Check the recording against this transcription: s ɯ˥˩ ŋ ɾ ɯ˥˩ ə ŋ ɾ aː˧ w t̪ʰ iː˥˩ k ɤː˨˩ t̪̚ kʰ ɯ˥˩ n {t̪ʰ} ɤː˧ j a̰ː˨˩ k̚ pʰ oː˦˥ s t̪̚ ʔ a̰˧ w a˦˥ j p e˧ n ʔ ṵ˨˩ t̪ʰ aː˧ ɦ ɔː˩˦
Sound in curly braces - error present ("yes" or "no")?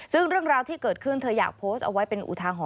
no